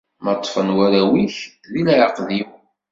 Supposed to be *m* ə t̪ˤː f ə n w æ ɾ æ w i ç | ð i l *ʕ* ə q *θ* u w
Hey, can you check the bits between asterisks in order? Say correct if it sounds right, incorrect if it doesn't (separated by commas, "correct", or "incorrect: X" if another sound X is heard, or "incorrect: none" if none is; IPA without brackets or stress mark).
correct, correct, incorrect: ð